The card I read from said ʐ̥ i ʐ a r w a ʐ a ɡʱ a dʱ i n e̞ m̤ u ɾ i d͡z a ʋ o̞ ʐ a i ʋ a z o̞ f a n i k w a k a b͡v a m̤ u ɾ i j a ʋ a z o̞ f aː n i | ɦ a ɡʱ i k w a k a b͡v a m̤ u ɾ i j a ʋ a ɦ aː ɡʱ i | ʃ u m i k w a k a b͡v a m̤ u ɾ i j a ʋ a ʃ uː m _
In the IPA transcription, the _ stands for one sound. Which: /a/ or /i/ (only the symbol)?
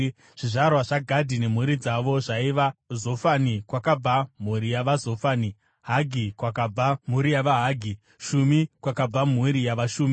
i